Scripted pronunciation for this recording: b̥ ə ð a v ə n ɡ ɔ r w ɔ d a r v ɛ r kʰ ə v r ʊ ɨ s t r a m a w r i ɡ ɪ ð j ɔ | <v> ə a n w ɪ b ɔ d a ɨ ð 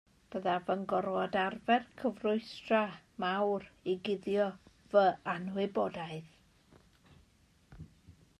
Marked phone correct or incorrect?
correct